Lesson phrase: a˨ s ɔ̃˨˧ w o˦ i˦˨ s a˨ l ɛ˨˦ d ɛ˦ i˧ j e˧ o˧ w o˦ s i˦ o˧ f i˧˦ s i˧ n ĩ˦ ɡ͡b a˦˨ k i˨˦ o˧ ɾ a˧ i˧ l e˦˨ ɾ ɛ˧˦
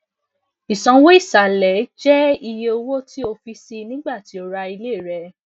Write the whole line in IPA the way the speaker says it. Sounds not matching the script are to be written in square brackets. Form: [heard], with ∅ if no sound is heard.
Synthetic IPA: [i˨] s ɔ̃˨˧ w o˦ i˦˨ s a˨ l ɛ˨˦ [d͡ʒ] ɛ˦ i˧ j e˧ o˧ w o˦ [t] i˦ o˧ f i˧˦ s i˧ n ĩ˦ ɡ͡b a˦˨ [t] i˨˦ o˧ ɾ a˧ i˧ l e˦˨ ɾ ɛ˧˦